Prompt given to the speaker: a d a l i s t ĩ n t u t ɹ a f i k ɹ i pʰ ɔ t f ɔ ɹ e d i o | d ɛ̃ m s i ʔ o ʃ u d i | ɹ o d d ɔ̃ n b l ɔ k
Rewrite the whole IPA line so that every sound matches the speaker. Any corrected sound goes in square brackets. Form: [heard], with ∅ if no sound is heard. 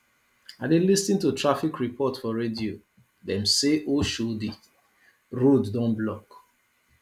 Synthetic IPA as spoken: a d [e] l i s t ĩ n t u t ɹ a f i k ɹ i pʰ ɔ t f ɔ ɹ e d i o | d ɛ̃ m s [e] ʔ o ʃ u d i | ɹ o d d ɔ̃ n b l ɔ k